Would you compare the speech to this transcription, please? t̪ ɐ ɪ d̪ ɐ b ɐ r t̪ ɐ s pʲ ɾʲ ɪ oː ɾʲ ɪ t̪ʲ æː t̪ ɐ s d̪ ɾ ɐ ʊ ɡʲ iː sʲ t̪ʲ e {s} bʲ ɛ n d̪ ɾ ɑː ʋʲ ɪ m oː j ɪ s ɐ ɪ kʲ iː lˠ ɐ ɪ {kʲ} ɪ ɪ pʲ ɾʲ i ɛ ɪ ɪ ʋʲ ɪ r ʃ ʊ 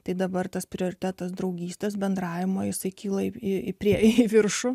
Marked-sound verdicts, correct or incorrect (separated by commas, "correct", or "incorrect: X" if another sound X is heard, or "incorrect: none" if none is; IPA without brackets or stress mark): correct, incorrect: none